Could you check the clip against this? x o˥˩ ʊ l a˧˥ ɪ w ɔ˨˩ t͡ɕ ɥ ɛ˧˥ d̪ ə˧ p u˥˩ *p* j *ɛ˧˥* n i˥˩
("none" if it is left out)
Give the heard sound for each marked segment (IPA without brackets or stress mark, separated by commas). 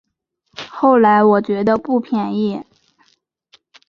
pʰ, ɛ˨˩